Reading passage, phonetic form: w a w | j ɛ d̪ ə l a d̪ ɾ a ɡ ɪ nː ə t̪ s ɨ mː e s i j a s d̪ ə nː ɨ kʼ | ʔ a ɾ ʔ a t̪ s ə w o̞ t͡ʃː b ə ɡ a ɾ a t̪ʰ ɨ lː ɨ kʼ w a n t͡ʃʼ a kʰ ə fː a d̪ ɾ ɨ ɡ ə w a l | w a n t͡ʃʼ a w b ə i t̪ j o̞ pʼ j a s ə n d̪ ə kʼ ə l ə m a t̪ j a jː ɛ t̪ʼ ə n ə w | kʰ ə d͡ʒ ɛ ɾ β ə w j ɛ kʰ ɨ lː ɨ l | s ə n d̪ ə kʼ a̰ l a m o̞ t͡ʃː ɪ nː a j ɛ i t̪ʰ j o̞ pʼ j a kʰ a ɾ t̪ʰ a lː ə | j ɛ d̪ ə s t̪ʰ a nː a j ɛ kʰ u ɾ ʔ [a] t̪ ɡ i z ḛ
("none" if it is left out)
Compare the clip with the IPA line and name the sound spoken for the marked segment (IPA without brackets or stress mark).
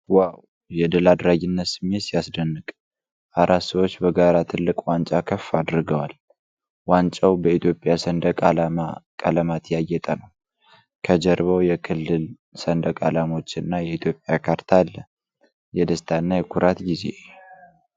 a